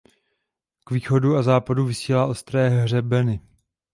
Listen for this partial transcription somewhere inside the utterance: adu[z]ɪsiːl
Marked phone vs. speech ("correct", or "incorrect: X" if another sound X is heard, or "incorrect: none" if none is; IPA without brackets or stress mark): incorrect: v